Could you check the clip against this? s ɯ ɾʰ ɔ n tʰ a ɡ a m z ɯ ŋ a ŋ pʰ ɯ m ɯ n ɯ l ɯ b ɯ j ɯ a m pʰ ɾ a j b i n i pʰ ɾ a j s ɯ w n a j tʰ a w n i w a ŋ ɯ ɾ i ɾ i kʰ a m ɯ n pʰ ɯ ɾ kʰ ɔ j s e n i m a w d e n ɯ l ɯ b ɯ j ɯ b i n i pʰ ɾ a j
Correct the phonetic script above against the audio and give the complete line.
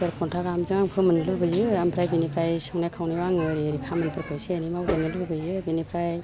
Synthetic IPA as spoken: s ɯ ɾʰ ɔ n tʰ a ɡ a m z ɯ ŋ a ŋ pʰ ɯ m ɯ n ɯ l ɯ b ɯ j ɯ a m pʰ ɾ a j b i n i pʰ ɾ a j s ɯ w n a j kʰ a w n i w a ŋ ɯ ɾ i ɾ i kʰ a m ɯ n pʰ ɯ ɾ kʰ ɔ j s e n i m a w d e n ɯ l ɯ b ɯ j ɯ b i n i pʰ ɾ a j